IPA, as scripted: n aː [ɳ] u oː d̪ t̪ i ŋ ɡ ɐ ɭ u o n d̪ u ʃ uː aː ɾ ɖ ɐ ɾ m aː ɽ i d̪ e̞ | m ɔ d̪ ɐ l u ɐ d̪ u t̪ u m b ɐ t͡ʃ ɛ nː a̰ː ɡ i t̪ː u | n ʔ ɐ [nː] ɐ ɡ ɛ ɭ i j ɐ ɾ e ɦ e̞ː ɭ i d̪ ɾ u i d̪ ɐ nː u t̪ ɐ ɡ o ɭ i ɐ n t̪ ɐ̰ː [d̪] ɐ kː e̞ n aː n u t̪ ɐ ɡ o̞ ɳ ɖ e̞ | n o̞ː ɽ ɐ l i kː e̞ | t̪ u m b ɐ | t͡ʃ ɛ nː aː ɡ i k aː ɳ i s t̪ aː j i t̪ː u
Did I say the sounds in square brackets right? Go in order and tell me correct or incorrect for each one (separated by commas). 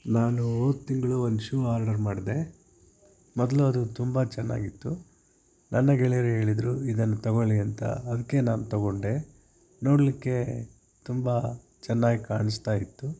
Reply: incorrect, correct, correct